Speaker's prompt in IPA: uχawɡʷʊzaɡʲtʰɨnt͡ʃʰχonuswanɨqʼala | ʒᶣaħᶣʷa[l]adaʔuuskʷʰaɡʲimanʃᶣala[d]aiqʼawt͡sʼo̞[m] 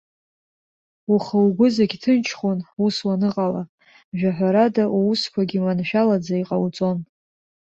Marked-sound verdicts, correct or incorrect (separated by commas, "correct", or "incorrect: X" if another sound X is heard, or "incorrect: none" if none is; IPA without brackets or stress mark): incorrect: ɾ, incorrect: d͡z, incorrect: n